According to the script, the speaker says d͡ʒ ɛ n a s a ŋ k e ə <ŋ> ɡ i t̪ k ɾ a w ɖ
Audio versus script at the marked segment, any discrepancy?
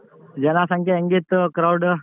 no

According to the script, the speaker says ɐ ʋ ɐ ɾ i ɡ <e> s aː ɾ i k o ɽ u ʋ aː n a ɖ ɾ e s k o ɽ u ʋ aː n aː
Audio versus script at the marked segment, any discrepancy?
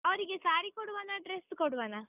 no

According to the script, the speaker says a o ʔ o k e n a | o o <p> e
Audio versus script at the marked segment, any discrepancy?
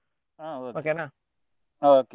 yes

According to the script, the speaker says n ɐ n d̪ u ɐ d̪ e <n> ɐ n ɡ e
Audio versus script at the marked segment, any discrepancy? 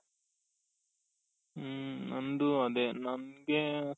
no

